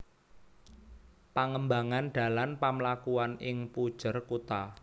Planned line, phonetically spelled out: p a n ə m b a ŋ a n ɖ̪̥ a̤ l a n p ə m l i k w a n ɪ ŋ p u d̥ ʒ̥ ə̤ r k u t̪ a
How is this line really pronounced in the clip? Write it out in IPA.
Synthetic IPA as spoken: p a ŋ ə m b a ŋ a n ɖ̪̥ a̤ l a n p a m l a k u a n ɪ ŋ p u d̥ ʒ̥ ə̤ r k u t̪ a